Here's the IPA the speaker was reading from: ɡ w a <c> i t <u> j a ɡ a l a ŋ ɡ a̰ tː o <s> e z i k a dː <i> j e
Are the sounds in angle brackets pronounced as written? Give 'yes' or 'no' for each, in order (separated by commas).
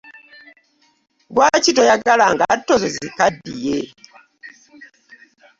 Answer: yes, no, no, yes